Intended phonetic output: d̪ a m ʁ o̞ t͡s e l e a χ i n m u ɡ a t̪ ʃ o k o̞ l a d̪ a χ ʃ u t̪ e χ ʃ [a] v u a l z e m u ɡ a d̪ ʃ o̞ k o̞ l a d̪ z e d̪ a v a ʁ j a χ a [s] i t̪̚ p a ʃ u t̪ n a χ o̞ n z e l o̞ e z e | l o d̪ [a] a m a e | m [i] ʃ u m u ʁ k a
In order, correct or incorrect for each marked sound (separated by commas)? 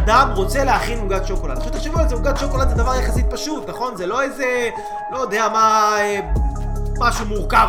incorrect, correct, incorrect, incorrect